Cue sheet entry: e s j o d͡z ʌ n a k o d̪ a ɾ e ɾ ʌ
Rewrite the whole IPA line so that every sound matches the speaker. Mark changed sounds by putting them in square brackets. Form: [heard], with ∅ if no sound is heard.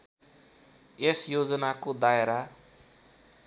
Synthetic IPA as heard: e s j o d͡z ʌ n a k o d̪ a [∅] e ɾ [a]